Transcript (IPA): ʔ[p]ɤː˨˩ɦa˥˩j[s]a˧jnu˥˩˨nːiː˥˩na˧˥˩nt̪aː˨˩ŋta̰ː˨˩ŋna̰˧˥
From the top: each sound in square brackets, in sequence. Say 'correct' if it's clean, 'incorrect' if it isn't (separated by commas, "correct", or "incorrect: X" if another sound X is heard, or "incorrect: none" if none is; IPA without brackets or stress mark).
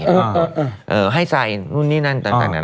incorrect: ʔ, correct